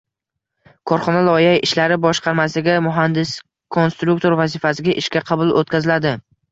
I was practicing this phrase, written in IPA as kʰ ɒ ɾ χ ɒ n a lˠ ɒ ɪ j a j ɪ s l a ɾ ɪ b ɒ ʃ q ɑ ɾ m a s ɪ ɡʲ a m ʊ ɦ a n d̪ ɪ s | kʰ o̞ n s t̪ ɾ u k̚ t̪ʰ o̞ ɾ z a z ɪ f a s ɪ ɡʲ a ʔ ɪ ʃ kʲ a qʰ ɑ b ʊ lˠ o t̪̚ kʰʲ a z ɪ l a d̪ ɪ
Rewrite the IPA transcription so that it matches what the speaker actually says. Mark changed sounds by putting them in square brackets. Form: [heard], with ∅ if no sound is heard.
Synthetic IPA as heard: kʰ ɒ ɾ χ ɒ n a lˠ ɒ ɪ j a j ɪ [ʃ] l a ɾ ɪ b ɒ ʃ q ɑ ɾ m a s ɪ ɡʲ a m ʊ ɦ a n d̪ ɪ s | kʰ o̞ n s t̪ ɾ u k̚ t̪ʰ o̞ ɾ [v] a z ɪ f a s ɪ ɡʲ a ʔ ɪ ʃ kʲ a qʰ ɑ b ʊ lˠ o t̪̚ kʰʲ a z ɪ l a d̪ ɪ

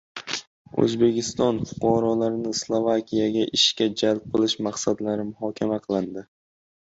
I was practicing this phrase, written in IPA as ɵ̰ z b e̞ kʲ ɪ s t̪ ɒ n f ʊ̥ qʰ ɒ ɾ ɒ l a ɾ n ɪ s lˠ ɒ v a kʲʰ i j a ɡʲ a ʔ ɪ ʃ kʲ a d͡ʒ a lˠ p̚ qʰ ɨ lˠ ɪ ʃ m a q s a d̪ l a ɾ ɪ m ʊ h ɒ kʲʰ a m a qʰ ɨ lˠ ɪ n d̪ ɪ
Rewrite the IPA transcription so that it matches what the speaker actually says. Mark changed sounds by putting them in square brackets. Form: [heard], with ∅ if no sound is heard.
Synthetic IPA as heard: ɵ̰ z b e̞ kʲ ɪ s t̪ ɒ n f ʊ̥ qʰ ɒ ɾ ɒ l a ɾ n ɪ s lˠ [o] v a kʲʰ i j a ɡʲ a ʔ ɪ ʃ kʲ a d͡ʒ a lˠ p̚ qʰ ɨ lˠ ɪ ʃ m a q s a d̪ l a ɾ ɪ m ʊ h ɒ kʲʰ a m a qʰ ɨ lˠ ɪ n d̪ ɪ

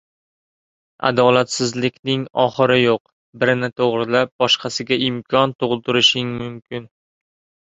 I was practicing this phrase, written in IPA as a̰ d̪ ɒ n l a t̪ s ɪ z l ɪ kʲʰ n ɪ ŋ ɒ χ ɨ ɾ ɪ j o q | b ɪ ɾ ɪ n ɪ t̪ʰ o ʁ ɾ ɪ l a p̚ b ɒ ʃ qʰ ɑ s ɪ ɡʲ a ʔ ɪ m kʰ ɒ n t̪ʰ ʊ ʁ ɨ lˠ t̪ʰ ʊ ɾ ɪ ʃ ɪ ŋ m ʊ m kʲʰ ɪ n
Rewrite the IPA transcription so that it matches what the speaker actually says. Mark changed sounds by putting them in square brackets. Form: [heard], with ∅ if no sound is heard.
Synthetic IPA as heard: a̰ d̪ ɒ [∅] l a t̪ s ɪ z l ɪ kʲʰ n ɪ ŋ ɒ χ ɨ ɾ ɪ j o q | b ɪ ɾ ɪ n ɪ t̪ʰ o ʁ ɾ ɪ l a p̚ b ɒ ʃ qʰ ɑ s ɪ ɡʲ a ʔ ɪ m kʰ ɒ n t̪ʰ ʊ ʁ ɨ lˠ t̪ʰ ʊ ɾ ɪ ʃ ɪ ŋ m ʊ m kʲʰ ɪ n

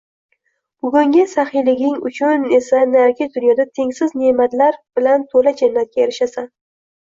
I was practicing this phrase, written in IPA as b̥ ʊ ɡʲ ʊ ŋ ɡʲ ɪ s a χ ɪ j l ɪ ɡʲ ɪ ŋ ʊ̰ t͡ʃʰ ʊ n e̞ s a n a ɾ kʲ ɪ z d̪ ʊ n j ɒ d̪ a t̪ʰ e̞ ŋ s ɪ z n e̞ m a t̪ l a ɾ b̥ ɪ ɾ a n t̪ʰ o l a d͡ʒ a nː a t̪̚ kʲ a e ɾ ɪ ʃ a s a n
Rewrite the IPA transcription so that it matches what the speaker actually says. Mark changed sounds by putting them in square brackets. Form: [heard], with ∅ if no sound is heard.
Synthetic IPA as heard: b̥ ʊ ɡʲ ʊ ŋ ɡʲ ɪ s a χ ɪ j l ɪ ɡʲ ɪ ŋ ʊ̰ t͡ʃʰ ʊ n e̞ s a n a ɾ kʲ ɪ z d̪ ʊ n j ɒ d̪ a t̪ʰ e̞ ŋ s ɪ z n e̞ m a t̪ l a ɾ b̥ ɪ [l] a n t̪ʰ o l a d͡ʒ a nː a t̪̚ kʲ a e ɾ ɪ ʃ a s a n

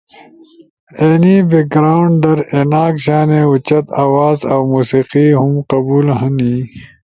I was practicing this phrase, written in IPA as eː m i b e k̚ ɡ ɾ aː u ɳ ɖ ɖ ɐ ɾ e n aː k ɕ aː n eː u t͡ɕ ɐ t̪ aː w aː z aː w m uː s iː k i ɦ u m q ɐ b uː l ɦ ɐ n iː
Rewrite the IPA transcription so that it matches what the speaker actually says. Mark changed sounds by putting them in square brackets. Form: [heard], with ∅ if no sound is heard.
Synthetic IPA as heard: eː [n] i b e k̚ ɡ ɾ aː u ɳ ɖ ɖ ɐ ɾ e n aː k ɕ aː n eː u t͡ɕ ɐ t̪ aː w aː z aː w m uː s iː [q] i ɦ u m q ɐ b uː l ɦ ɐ n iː

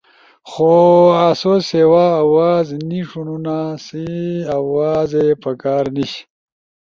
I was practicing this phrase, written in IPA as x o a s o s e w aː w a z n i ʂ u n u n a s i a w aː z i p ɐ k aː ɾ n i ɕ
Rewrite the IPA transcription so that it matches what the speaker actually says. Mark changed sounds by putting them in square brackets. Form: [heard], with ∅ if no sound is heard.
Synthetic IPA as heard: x o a s o s e w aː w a z n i ʂ u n u n a s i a w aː z [e] p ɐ k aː ɾ n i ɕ

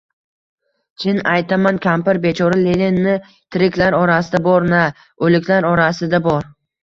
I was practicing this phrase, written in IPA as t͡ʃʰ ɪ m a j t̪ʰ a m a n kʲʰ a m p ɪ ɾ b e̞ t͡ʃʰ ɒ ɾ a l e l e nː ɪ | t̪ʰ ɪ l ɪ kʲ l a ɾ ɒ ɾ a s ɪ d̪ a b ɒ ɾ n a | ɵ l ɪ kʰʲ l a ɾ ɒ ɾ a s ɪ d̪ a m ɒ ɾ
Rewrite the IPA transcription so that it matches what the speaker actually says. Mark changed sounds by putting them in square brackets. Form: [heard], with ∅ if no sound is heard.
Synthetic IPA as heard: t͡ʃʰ ɪ [n] a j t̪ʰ a m a n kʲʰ a m p ɪ ɾ b e̞ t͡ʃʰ ɒ ɾ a l e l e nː ɪ | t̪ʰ ɪ [ɾ] ɪ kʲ l a ɾ ɒ ɾ a s ɪ d̪ a b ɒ ɾ n a | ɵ l ɪ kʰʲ l a ɾ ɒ ɾ a s ɪ d̪ a [b] ɒ ɾ

